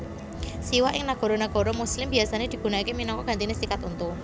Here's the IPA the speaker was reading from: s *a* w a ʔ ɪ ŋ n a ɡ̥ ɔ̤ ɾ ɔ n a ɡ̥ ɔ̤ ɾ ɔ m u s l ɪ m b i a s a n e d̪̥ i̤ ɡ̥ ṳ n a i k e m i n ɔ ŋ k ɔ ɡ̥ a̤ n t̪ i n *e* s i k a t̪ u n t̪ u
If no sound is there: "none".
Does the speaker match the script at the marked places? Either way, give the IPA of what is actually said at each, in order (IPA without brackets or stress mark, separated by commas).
i, e